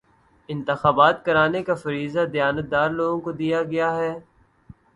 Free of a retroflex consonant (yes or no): yes